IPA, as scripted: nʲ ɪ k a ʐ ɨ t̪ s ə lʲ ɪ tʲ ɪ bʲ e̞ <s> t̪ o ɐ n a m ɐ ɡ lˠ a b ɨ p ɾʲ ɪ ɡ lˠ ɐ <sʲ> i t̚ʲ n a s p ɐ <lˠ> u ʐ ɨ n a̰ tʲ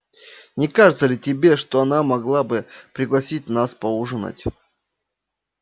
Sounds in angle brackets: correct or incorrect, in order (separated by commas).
incorrect, correct, incorrect